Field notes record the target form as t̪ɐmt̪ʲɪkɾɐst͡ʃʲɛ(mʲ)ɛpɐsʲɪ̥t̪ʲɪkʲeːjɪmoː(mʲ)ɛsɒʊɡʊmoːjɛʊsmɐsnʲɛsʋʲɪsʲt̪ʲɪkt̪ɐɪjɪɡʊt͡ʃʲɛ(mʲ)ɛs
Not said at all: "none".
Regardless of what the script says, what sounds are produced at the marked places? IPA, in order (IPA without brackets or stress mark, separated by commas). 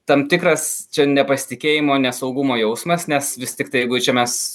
nʲ, nʲ, mʲ